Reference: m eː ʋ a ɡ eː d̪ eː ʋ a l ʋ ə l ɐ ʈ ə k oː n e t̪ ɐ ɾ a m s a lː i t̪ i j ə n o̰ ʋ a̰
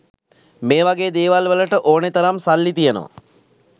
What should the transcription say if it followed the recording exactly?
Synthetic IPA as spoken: m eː ʋ a ɡ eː d̪ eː ʋ a l ʋ ə l ə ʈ ə ʔ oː n e t̪ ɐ ɾ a m s a lː i t̪ i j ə n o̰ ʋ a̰